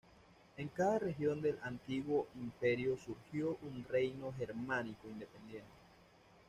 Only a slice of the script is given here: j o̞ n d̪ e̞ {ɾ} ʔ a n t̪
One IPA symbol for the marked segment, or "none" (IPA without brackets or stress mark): l